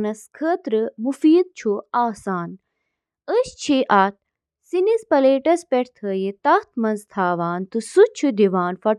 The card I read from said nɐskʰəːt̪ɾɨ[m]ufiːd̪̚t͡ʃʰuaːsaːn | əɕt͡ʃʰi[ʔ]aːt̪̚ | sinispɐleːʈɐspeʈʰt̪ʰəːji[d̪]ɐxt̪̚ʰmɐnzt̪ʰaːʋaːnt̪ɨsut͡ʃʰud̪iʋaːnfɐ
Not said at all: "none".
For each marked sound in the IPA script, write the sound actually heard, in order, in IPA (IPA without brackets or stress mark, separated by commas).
m, ʔ, t̪